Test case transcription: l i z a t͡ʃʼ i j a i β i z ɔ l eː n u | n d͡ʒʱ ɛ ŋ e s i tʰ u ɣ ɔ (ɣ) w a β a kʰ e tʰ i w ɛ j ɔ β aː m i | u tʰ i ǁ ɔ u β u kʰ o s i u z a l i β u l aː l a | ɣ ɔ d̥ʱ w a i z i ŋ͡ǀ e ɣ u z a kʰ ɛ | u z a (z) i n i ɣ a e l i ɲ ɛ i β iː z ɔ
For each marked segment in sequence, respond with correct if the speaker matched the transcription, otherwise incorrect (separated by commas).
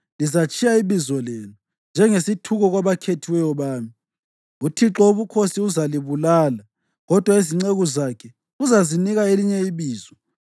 correct, correct